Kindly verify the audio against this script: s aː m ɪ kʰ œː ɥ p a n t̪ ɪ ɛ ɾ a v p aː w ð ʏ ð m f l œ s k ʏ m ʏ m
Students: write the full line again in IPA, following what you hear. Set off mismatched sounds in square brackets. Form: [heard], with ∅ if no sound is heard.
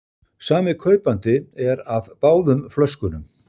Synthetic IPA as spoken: s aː m ɪ kʰ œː ɥ p a n t̪ ɪ ɛ ɾ a v p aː w ð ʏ [∅] m f l œ s k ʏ [n] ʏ m